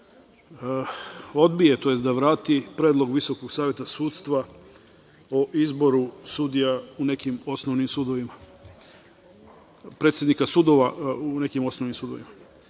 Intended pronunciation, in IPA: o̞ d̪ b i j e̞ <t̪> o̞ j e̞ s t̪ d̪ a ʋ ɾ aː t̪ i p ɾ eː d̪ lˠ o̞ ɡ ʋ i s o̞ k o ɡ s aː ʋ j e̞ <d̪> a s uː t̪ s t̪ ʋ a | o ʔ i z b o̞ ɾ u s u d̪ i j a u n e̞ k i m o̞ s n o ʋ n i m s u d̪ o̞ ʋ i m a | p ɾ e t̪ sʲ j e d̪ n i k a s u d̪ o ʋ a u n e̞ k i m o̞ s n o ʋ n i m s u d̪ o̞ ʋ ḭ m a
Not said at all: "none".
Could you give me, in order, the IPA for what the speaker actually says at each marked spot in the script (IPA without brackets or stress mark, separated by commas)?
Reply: t̪, t̪